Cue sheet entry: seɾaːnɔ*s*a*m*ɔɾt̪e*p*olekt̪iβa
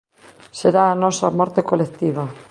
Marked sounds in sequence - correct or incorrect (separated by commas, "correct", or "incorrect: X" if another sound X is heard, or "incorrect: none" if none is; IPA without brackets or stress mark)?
correct, correct, incorrect: k